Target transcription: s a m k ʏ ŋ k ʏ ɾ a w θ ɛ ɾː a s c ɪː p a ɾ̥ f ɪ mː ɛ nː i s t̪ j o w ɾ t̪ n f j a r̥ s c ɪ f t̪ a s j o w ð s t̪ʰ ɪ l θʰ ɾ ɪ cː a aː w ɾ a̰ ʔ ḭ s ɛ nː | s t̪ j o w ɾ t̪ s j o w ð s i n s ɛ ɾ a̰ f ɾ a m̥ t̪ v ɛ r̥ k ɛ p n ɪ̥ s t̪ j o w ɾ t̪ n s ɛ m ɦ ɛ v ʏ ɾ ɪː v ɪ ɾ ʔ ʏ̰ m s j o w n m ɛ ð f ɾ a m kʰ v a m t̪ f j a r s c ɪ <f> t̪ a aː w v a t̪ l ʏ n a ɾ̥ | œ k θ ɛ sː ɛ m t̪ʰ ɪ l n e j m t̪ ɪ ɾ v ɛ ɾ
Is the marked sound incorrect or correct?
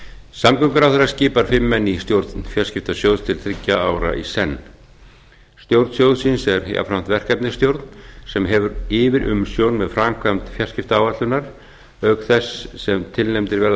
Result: correct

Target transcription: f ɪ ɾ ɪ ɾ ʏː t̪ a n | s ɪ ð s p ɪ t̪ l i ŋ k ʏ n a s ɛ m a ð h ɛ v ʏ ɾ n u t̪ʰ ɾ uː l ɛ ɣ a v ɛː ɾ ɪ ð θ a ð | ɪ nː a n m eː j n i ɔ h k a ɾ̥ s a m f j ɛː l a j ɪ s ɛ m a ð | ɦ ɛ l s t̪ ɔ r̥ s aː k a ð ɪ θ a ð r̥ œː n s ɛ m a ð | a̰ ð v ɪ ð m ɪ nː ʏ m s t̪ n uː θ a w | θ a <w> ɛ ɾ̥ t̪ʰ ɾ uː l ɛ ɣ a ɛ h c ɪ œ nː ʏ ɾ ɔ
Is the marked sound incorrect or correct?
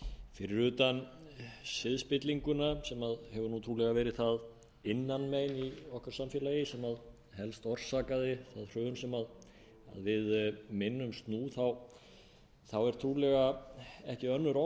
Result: correct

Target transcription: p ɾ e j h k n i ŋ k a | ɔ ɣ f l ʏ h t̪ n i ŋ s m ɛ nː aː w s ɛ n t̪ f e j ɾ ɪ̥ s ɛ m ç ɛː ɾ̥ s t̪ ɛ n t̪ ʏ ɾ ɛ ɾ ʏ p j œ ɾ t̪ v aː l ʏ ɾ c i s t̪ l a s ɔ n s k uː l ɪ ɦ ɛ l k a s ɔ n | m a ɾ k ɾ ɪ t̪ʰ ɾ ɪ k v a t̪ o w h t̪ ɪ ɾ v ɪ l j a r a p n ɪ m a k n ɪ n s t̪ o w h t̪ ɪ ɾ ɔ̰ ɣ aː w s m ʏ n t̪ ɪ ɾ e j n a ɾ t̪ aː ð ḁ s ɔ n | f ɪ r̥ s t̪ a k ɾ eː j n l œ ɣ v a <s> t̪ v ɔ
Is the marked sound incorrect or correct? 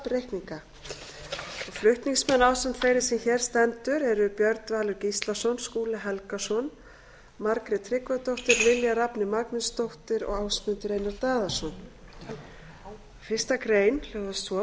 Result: correct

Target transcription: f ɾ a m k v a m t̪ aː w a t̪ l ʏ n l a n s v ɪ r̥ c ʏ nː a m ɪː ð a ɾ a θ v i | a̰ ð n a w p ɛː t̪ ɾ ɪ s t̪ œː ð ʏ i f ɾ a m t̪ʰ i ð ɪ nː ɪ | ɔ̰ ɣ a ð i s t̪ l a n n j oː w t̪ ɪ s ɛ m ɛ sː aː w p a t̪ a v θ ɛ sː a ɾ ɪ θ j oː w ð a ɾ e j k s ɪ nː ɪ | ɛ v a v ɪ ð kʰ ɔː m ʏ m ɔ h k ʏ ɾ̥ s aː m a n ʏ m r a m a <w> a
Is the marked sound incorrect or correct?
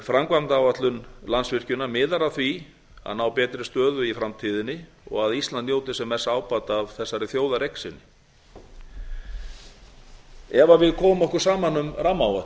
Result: correct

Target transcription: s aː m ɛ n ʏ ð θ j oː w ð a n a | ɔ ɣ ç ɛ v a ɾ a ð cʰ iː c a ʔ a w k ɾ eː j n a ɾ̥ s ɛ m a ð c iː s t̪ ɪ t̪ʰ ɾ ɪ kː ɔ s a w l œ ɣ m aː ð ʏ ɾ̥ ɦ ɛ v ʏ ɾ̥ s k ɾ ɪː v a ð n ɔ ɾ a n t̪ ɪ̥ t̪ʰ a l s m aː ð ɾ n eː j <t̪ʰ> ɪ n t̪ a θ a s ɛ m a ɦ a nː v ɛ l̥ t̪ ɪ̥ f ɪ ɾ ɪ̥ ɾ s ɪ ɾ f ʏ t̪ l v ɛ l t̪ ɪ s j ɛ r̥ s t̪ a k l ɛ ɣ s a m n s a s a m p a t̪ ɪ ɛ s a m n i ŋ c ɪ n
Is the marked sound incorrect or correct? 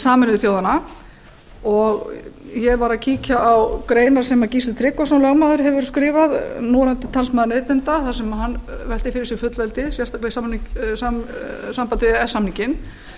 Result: incorrect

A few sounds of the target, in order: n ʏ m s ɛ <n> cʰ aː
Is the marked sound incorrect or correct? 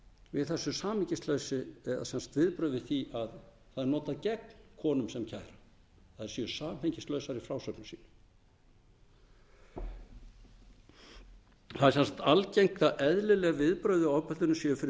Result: incorrect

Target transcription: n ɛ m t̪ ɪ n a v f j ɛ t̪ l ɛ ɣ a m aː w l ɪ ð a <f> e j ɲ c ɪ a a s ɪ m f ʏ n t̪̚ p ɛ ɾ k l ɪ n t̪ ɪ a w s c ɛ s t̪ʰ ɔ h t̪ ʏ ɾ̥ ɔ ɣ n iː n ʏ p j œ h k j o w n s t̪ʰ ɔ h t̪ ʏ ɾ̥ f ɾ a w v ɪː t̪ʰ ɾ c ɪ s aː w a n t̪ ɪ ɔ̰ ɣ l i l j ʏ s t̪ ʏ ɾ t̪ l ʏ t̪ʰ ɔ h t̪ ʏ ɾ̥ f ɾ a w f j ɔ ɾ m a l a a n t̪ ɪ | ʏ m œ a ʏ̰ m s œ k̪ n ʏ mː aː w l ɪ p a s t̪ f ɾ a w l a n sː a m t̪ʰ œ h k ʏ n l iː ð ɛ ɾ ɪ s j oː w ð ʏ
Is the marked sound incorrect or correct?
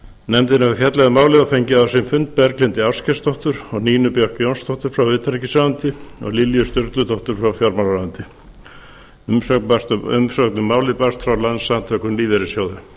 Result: correct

